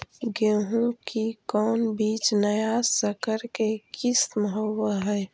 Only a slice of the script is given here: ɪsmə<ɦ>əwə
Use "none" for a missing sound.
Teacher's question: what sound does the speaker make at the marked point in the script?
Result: ɦ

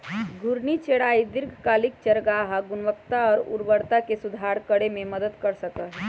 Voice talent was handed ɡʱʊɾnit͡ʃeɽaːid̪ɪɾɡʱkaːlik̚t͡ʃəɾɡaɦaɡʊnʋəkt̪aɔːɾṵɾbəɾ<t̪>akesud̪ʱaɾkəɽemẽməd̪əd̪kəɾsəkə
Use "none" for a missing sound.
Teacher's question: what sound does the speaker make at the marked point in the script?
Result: t̪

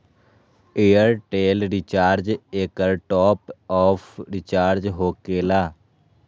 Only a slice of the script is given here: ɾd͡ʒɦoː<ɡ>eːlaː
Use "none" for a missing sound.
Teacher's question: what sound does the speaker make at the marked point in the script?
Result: k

